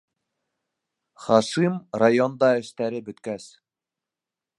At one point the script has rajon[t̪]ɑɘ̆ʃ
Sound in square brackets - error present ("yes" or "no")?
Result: yes